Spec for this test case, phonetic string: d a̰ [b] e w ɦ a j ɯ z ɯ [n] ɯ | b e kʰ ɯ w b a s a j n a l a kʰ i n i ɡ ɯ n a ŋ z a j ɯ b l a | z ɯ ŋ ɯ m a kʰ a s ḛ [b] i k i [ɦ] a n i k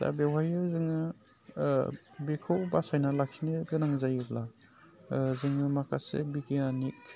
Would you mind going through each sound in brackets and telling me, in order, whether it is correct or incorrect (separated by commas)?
correct, incorrect, correct, incorrect